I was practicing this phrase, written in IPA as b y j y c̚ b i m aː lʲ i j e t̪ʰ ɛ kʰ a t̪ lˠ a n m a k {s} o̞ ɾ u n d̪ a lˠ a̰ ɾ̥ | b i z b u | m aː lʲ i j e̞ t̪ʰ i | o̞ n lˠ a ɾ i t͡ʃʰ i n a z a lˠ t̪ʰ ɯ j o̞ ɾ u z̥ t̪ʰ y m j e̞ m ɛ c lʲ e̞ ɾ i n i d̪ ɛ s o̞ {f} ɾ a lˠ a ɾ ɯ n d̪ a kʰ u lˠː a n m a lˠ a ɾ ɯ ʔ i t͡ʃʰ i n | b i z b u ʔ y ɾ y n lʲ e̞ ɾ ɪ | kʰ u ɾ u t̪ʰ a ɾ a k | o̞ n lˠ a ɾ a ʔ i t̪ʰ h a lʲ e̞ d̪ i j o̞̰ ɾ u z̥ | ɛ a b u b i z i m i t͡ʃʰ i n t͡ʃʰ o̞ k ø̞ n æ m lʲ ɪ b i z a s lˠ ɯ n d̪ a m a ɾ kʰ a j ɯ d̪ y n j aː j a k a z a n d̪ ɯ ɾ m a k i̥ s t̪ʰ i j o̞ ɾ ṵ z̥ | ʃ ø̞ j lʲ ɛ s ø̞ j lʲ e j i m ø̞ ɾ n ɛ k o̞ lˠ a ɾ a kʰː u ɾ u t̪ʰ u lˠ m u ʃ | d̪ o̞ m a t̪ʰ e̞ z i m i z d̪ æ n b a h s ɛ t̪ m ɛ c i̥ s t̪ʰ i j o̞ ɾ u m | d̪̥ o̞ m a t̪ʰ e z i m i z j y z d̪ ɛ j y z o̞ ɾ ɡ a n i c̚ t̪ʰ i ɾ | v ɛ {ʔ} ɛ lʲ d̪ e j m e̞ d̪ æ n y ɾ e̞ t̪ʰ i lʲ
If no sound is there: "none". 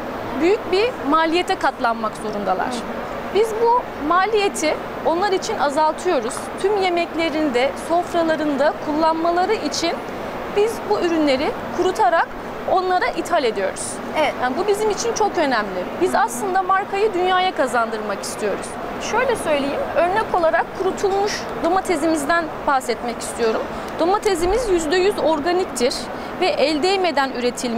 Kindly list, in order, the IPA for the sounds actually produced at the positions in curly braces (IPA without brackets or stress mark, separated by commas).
z, f, ʔ